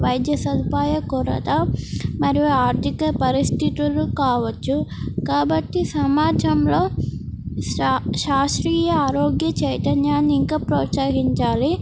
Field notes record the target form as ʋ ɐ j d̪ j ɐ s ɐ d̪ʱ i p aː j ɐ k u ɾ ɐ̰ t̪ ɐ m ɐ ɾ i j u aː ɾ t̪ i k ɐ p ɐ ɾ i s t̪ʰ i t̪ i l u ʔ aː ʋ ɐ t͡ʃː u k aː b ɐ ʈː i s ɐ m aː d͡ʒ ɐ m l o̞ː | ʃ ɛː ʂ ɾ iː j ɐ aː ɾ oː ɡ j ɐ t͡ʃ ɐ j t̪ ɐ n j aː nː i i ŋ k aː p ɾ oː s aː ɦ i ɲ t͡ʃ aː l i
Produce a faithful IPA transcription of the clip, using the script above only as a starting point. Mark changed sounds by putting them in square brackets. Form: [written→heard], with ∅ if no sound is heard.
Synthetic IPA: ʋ ɐ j d̪ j ɐ s ɐ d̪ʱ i p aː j ɐ k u ɾ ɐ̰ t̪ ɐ m ɐ ɾ i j u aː ɾ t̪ i k ɐ p ɐ ɾ i s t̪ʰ i t̪ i l u [ʔ→k] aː ʋ ɐ t͡ʃː u k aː b ɐ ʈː i s ɐ m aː d͡ʒ ɐ m l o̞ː | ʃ [ɛː→aː] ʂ ɾ iː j ɐ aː ɾ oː ɡ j ɐ t͡ʃ ɐ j t̪ ɐ n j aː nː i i ŋ k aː p ɾ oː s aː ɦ i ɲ t͡ʃ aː l i